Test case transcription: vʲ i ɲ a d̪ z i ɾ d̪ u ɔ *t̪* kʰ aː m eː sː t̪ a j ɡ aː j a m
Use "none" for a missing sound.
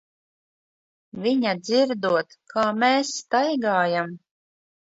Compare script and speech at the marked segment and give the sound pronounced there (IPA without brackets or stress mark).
t̪